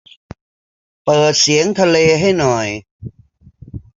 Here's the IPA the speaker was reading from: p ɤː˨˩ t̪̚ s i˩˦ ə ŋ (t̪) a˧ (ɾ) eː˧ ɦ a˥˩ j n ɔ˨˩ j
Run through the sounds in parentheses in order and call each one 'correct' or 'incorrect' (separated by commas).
incorrect, incorrect